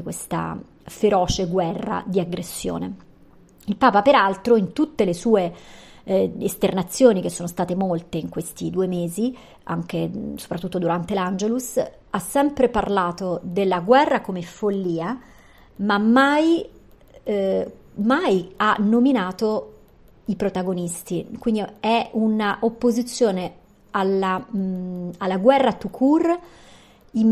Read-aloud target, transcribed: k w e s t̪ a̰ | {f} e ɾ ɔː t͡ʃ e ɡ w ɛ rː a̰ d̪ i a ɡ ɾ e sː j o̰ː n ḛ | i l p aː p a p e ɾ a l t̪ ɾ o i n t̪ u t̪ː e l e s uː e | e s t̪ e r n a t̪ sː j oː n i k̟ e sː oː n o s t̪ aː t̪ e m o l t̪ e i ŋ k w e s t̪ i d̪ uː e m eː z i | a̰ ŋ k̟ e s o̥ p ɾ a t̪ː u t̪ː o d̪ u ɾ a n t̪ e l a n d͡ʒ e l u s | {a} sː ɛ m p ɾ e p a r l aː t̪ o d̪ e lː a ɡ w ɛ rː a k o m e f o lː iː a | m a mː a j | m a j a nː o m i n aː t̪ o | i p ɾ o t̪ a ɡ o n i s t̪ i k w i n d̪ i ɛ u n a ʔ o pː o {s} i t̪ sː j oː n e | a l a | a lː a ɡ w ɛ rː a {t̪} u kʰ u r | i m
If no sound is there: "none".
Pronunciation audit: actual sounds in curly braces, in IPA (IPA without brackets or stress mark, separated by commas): f, a, z, t̪